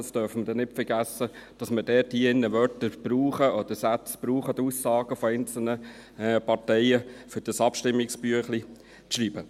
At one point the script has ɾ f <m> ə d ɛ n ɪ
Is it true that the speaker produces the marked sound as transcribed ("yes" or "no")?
yes